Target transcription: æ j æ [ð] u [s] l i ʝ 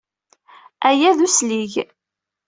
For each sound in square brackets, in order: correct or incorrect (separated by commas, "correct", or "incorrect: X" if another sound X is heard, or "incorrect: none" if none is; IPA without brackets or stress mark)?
correct, correct